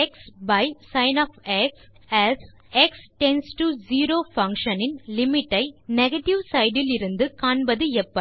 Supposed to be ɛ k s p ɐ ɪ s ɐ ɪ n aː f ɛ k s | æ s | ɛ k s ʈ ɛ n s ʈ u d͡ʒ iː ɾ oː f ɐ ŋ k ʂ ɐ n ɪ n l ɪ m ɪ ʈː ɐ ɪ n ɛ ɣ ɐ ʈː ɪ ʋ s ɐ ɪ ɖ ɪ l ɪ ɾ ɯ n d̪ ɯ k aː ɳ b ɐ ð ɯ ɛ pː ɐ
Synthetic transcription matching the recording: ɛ k s b ɐ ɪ s ɐ ɪ n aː f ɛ k s | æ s | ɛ k s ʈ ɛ n s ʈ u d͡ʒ iː ɾ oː f ɐ ŋ k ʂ ɐ n ɪ n l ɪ m ɪ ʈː ɐ ɪ n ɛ ɣ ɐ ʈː ɪ ʋ s ɐ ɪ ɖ ɪ l ɪ ɾ ɯ n d̪ ɯ k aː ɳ b ɐ ð ɯ ɛ pː ɐ